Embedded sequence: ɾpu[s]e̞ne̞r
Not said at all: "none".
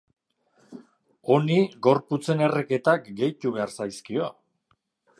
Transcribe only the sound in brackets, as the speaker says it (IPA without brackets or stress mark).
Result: t͡s